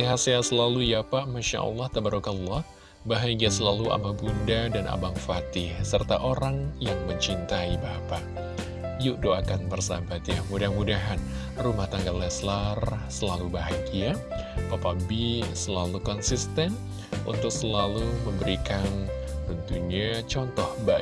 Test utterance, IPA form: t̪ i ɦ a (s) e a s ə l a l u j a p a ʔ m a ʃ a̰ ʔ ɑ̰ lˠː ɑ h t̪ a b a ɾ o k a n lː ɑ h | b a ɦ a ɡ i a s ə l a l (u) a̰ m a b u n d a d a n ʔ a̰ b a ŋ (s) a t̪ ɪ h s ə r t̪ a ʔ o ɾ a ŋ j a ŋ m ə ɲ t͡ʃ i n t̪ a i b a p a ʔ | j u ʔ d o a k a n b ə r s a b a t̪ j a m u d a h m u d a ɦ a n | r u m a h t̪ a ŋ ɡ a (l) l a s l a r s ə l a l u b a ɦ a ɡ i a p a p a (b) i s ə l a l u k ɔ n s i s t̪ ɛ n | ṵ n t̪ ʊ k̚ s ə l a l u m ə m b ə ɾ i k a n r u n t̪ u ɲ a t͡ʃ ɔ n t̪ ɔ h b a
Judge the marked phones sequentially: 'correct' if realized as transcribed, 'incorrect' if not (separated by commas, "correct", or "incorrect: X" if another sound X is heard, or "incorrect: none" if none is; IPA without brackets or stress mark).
correct, correct, incorrect: f, correct, correct